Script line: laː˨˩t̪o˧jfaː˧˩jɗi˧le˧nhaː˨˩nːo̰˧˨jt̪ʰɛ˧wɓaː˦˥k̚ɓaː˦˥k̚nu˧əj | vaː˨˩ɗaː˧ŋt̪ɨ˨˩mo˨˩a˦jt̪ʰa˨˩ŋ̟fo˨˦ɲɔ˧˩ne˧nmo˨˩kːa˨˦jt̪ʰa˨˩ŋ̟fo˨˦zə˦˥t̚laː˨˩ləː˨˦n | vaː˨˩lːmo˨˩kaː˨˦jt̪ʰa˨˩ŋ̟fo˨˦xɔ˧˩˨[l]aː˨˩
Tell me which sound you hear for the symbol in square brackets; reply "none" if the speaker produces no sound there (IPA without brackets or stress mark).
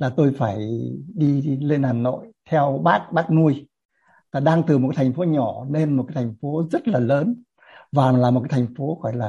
l